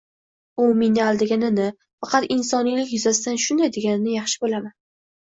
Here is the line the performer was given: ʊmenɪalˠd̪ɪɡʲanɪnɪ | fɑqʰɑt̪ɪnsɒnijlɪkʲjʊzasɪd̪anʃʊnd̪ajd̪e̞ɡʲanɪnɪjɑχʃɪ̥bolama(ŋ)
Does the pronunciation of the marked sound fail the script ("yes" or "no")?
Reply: yes